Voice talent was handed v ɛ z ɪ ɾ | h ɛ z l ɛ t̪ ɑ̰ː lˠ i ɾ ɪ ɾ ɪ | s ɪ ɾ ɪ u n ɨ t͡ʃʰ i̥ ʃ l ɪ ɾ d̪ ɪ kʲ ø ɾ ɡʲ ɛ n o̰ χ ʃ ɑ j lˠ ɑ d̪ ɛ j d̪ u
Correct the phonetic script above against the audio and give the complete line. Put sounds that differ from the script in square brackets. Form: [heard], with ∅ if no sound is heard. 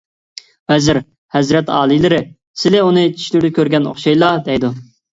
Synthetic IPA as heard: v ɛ z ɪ ɾ | h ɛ z [ɾ] ɛ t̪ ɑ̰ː lˠ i [l] ɪ ɾ ɪ | s ɪ [l] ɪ u n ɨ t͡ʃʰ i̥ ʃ l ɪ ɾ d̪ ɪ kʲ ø ɾ ɡʲ ɛ n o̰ χ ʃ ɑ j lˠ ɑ d̪ ɛ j d̪ u